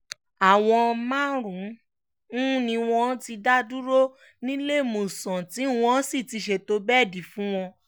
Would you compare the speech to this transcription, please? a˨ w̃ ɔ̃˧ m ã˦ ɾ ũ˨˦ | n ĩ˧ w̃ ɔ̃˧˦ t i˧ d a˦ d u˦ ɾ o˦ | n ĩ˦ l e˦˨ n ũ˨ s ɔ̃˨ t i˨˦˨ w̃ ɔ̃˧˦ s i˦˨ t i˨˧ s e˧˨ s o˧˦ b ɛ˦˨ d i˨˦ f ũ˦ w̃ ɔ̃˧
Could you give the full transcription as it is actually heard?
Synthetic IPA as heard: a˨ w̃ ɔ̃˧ m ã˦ ɾ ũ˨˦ | n ĩ˧ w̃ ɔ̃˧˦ t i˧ d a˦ d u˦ ɾ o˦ | n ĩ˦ l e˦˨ m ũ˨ s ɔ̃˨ t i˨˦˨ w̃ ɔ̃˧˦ s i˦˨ t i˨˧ ʃ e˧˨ t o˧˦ b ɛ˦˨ d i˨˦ f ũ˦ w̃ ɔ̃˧